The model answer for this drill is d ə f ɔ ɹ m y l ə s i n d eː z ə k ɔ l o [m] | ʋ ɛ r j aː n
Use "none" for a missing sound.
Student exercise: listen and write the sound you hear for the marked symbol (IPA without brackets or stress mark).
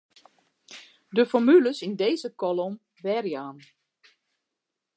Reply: m